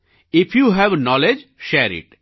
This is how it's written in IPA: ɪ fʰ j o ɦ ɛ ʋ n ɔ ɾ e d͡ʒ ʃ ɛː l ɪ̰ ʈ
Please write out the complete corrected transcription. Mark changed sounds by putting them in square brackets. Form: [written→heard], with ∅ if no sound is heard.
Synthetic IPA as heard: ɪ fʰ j [o→u] ɦ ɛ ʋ n ɔ [ɾ→l] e d͡ʒ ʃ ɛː [l→ɾ] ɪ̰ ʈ